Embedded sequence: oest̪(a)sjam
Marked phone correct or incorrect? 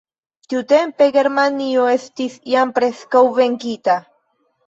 incorrect: i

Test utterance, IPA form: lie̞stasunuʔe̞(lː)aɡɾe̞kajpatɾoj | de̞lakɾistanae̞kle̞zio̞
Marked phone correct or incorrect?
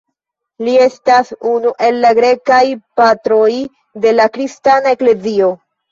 correct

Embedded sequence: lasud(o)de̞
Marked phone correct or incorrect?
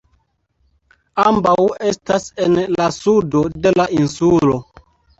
correct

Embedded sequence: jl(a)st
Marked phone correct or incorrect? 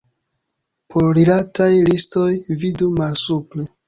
incorrect: i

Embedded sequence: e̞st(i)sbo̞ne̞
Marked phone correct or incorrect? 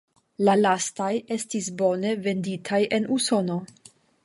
correct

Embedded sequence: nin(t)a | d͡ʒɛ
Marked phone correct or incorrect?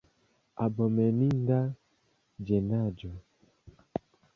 incorrect: d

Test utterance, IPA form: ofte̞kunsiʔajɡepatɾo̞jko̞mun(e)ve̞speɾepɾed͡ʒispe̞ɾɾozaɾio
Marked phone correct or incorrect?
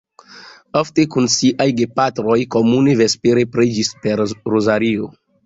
correct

